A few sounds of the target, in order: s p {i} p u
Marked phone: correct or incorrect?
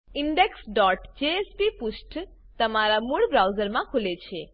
correct